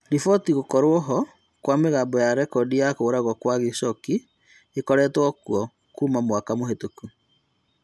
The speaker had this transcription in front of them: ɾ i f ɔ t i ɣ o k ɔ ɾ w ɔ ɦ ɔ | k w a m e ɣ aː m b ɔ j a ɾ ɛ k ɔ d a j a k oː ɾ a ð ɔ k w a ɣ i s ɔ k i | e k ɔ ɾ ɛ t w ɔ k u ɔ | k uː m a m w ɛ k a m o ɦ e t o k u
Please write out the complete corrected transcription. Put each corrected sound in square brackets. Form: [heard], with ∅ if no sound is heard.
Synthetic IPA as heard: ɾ i f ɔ t i ɣ o k ɔ ɾ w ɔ ɦ ɔ | k w a m e ɣ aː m b ɔ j a ɾ ɛ k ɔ d [i] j a k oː ɾ a [ɣ] ɔ k w a ɣ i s ɔ k i | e k ɔ ɾ ɛ t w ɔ k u ɔ | k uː m a m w [a] k a m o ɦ e t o k u